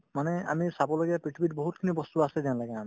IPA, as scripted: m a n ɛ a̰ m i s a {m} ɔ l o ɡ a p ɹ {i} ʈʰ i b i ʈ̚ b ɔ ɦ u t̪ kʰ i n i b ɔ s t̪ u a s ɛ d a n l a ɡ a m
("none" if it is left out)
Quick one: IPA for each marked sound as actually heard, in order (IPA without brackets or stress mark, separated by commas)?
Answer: b, i